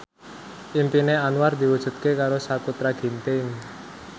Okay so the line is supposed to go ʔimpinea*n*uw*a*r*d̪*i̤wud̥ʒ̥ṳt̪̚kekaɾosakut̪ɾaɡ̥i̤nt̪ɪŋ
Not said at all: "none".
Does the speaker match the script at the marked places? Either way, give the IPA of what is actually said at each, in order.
n, a, d̪

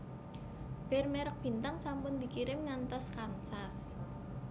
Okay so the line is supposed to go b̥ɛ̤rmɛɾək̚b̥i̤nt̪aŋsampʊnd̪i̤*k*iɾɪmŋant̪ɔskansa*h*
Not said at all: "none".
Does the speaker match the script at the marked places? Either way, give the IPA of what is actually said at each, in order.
k, s

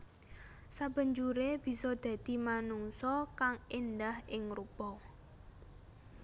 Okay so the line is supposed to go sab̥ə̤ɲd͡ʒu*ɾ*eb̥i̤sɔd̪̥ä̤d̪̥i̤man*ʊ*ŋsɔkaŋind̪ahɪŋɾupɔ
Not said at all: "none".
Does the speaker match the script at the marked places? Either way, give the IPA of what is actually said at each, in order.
ɾ, u

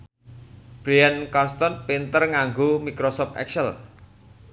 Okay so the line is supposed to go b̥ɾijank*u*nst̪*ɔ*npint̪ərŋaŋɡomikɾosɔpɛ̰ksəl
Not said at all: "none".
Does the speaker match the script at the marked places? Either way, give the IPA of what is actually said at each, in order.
ɔ, ɔ

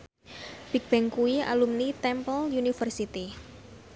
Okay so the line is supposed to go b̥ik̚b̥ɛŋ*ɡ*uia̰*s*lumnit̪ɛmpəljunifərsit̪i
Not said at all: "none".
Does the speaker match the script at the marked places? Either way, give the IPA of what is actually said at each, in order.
k, none

